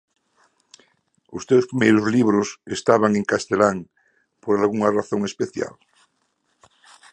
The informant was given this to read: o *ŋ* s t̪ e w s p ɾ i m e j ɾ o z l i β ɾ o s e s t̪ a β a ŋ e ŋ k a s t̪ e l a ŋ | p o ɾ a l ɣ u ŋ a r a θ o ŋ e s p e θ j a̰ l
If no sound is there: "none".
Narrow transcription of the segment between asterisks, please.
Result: none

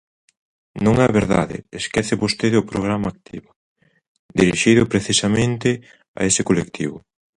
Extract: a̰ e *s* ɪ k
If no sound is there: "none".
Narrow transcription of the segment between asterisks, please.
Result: s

